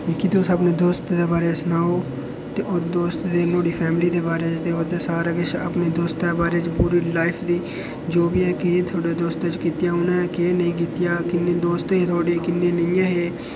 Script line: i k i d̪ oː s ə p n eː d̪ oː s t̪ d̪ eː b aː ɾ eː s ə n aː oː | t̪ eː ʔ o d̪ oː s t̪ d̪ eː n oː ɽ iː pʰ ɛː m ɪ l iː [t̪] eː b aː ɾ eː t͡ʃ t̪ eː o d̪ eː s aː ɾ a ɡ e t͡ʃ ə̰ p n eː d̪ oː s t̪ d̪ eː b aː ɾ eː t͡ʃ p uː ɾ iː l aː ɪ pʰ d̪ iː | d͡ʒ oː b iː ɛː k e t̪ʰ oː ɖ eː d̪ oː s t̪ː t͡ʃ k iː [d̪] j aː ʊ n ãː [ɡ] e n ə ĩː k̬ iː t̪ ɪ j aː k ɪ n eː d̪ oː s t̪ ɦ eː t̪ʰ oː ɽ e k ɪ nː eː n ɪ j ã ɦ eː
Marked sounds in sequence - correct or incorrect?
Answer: incorrect: d̪, incorrect: t̪, incorrect: k

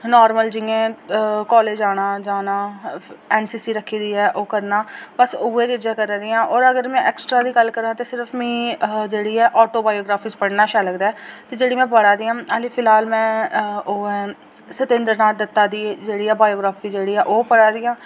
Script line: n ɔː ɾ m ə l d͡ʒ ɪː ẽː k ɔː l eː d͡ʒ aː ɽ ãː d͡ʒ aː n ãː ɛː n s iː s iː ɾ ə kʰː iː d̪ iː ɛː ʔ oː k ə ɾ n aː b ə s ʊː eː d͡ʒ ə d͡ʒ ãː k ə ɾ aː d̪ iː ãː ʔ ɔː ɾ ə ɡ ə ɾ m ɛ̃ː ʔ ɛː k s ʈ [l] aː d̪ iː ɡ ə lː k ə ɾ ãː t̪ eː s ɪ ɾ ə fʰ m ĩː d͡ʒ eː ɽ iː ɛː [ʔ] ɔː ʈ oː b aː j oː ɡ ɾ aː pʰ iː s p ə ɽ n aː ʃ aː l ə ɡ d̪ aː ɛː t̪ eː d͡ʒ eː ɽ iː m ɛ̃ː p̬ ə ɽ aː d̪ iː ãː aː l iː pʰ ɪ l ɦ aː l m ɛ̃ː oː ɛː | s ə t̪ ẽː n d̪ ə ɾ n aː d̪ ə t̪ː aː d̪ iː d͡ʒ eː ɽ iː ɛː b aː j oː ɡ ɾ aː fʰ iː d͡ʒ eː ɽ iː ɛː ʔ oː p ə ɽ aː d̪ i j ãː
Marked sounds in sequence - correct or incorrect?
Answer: incorrect: ɾ, correct

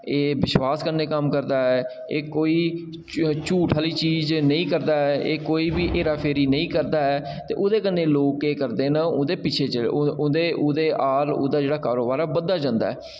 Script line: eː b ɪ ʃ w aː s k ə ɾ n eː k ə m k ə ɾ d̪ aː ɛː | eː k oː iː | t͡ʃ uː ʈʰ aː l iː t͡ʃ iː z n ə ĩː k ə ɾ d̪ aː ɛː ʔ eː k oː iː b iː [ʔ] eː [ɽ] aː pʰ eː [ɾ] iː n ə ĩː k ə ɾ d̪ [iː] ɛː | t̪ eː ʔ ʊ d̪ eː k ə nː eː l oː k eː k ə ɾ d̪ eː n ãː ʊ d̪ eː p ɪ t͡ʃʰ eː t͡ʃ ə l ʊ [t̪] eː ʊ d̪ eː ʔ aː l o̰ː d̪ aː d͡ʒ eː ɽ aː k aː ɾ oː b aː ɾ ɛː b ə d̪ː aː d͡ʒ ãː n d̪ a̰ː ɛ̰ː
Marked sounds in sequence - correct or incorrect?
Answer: correct, incorrect: ɾ, correct, incorrect: aː, incorrect: d̪

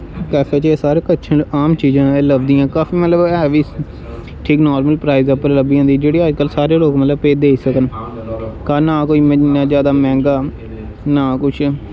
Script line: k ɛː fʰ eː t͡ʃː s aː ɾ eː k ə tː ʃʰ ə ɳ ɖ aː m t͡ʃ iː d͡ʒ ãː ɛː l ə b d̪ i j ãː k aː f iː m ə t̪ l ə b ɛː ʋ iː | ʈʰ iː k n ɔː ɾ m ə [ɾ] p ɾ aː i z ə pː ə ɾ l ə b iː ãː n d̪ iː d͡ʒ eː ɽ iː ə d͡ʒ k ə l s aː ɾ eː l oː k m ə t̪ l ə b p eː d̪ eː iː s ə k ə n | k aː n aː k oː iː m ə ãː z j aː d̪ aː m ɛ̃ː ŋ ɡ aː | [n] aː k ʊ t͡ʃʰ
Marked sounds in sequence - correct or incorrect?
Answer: incorrect: l, correct

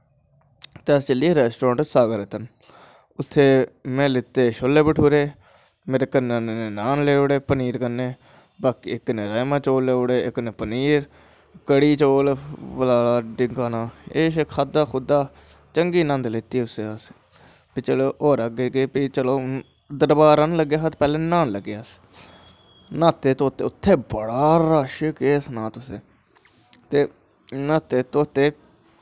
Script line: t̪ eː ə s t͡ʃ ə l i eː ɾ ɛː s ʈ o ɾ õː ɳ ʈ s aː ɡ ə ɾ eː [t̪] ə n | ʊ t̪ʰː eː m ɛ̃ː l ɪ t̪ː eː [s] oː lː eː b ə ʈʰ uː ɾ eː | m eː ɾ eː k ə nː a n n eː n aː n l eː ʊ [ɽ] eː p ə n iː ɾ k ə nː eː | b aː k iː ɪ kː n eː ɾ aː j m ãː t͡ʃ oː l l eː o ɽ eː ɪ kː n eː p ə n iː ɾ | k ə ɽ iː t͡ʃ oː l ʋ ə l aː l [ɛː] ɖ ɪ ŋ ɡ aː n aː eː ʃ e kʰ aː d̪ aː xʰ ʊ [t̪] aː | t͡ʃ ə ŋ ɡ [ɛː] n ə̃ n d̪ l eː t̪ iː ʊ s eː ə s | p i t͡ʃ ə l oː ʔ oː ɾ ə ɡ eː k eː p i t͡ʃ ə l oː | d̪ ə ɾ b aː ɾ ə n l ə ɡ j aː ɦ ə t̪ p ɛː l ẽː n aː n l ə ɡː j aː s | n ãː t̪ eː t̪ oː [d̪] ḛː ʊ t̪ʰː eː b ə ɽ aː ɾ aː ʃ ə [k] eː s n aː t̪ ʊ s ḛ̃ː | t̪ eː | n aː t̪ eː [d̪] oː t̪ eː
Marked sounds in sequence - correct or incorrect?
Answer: correct, incorrect: ʃ, correct, incorrect: aː, incorrect: d̪, incorrect: iː, incorrect: t̪, correct, incorrect: t̪

